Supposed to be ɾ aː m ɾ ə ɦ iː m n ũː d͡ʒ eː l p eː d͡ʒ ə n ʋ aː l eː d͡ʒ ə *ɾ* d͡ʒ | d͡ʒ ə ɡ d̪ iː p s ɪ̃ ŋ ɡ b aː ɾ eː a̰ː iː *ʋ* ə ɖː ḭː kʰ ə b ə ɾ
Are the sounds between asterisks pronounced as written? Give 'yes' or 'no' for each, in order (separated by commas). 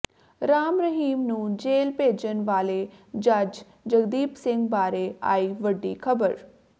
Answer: no, yes